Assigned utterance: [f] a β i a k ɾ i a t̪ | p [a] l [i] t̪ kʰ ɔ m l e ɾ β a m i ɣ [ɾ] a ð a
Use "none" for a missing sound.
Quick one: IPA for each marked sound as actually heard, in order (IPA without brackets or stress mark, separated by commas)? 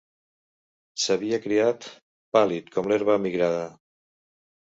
s, a, i, ɾ